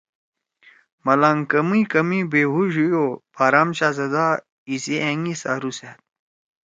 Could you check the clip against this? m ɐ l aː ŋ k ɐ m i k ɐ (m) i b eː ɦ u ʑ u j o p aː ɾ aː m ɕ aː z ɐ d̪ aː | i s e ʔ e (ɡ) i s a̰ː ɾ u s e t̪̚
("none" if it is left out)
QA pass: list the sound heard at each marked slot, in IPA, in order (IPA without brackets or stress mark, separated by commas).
m, ŋ